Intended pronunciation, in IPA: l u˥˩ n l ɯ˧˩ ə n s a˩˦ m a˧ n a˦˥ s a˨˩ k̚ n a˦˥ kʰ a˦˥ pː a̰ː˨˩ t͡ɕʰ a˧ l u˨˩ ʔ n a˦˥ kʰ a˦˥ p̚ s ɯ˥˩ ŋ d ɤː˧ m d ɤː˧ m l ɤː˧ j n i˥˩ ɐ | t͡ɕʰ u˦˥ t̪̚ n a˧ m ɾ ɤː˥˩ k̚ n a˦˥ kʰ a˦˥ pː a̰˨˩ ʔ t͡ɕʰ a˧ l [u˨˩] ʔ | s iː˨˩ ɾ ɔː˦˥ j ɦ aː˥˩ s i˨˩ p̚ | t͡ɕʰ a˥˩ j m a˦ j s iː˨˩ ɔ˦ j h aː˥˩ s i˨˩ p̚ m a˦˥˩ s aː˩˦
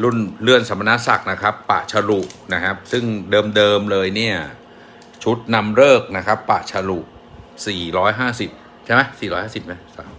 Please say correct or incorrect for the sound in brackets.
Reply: correct